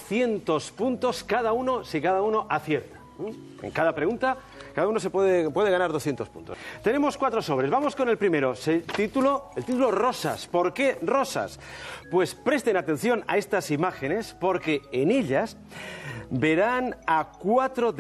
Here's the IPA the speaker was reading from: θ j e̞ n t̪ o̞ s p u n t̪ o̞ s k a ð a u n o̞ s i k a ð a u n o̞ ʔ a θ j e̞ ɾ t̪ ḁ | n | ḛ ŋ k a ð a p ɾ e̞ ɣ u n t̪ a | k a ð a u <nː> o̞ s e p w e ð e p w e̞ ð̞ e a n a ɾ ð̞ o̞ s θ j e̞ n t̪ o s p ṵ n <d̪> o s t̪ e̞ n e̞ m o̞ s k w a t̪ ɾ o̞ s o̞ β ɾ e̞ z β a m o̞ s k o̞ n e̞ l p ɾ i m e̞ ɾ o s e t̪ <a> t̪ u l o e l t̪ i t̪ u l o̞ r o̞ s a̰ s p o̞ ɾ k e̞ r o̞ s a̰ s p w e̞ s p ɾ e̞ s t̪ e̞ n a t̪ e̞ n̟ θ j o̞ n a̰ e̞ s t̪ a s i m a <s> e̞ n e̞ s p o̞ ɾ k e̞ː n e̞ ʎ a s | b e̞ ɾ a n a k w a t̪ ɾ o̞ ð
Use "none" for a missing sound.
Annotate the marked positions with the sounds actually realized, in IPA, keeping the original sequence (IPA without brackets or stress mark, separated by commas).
n, t̪, i, x